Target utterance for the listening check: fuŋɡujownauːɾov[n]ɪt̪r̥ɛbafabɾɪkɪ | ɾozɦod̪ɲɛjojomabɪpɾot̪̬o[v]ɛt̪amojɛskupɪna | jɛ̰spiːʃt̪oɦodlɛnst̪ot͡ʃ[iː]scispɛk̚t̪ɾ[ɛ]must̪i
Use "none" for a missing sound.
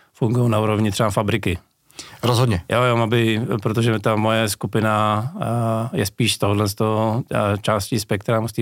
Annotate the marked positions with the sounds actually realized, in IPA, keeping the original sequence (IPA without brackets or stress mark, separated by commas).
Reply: ɲ, ʒ, aː, a